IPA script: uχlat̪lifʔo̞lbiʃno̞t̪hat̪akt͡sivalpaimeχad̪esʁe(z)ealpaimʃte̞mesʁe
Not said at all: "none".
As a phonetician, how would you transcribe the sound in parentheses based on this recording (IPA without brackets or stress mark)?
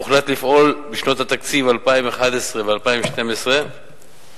v